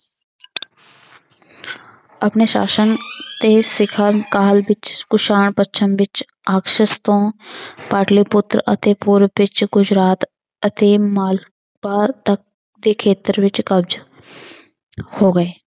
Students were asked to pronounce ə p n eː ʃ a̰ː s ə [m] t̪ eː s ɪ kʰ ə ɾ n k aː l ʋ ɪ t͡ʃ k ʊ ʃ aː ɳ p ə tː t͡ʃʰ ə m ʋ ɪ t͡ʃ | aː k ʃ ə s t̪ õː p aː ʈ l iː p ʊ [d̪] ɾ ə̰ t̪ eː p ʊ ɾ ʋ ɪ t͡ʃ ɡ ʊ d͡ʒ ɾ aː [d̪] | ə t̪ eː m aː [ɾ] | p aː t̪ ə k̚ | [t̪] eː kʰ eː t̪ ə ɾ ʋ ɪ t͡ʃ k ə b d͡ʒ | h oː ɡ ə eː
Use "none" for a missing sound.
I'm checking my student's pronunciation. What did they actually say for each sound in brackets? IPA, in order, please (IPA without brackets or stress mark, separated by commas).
n, t̪, t̪, l, d̪